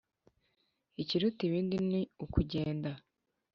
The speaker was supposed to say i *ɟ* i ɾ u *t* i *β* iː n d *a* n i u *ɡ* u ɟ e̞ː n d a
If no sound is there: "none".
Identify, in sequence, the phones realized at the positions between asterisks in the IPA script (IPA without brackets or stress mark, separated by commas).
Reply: c, t, β, i, k